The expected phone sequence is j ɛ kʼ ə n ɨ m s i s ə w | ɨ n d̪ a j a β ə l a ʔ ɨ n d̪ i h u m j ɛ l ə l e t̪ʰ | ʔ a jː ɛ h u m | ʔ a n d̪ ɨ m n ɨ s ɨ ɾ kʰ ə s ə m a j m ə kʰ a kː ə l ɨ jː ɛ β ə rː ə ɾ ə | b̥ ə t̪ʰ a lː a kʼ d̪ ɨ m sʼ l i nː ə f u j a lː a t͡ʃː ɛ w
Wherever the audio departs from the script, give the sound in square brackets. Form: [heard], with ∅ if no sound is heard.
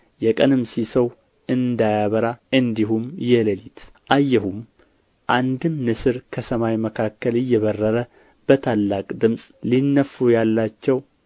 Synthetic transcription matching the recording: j ɛ kʼ ə n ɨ m s i s ə w | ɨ n d̪ a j a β ə [ɾ] a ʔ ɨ n d̪ i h u m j ɛ l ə l [i] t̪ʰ | ʔ a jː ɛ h u m | ʔ a n d̪ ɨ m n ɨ s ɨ ɾ kʰ ə s ə m a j m ə kʰ a kː ə l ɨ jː ɛ β ə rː ə ɾ ə | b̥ ə t̪ʰ a lː a kʼ d̪ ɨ m sʼ l i nː ə f u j a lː a t͡ʃː ɛ w